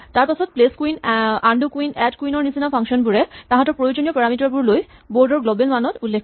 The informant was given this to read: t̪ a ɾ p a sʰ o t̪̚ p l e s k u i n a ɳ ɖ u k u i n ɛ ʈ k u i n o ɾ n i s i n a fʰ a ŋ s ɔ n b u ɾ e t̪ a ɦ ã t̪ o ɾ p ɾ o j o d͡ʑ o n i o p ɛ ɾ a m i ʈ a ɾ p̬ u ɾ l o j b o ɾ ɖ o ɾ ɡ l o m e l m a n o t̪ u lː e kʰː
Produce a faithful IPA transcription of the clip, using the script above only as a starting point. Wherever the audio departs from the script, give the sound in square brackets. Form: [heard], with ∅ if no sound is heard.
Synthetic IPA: t̪ a ɾ p a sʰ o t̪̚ p l e s k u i n a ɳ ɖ u k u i n ɛ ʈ k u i n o ɾ n i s i n a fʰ a ŋ [ʃ] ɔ n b u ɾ e t̪ a ɦ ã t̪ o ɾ p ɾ o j o d͡ʑ o n i o p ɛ ɾ a m i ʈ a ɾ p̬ u ɾ l o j b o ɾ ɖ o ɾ ɡ l o [b] e l m a n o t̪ u lː e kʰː